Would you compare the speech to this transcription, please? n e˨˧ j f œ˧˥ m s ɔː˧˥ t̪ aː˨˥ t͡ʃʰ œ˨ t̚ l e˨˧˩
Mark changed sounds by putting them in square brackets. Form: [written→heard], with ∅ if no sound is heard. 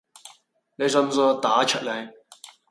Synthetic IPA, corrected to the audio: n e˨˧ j [f→s] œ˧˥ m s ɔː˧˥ t̪ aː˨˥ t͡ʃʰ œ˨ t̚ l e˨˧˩